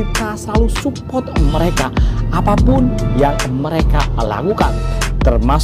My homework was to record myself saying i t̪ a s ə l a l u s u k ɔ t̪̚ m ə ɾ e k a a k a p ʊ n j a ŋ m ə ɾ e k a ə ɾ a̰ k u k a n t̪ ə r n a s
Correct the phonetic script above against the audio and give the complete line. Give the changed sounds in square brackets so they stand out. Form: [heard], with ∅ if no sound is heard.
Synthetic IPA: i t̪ a s ə l a l u s u [p] ɔ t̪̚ m ə ɾ e k a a [p] a p ʊ n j a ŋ m ə ɾ e k a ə [l] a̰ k u k a n t̪ ə r [m] a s

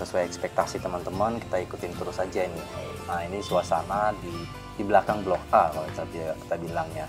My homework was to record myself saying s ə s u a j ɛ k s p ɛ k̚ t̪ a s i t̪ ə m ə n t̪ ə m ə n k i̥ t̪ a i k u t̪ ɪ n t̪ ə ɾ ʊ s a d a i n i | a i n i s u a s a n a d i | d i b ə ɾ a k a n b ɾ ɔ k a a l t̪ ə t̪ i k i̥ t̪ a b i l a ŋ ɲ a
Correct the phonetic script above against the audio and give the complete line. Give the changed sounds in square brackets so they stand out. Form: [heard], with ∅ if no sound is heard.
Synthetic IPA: s ə s u a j ɛ k s p ɛ k̚ t̪ a s i t̪ ə m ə n t̪ ə m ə n k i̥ t̪ a i k u t̪ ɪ n t̪ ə ɾ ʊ s a [d͡ʒ] a i n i | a i n i s u a s a n a d i | d i b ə [l] a k a [ŋ] b [l] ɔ k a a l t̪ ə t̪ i k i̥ t̪ a b i l a ŋ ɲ a

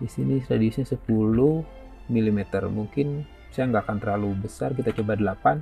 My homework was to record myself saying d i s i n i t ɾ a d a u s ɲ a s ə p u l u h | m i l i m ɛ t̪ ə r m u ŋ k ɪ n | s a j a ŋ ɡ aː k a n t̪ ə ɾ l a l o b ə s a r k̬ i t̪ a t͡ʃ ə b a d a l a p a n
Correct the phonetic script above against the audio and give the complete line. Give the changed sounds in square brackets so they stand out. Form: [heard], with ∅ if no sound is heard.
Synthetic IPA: d i s i n i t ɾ a d [i] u s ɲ a s ə p u l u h | m i l i m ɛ t̪ ə r m u ŋ k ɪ n | s a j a ŋ ɡ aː k a n t̪ ə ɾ l a l [u] b ə s a r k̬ i t̪ a t͡ʃ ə b a d [ə] l a p a n

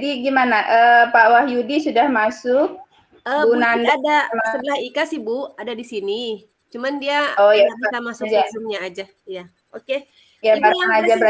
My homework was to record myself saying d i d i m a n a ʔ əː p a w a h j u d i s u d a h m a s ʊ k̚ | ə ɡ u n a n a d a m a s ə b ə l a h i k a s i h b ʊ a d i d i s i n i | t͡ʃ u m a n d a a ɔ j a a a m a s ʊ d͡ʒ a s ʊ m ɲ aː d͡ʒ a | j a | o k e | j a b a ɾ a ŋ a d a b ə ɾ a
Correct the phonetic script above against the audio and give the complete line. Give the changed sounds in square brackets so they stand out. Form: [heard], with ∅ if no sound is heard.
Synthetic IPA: d i [ɡ] i m a n a ʔ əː p a w a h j u d i s u d a h m a s ʊ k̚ | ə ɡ u n a n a d a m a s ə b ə l a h i k a s i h b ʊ a d [a] d i s i n i | t͡ʃ u m a n d [i] a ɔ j a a a m a s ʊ d͡ʒ a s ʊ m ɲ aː d͡ʒ a | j a | o k e | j a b a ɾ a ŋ a [d͡ʒ] a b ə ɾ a

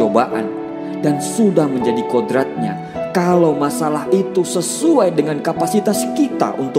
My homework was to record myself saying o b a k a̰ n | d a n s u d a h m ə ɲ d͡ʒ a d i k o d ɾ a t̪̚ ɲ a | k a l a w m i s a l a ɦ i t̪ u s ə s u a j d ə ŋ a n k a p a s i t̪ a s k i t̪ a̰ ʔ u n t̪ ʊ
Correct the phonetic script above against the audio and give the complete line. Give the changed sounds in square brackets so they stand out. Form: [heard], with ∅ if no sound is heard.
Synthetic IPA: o b a [ʔ] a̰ n | d a n s u d a h m ə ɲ d͡ʒ a d i k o d ɾ a t̪̚ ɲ a | k a l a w m [a] s a l a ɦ i t̪ u s ə s u a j d ə ŋ a n k a p a s i t̪ a s k i t̪ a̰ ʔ u n t̪ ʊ

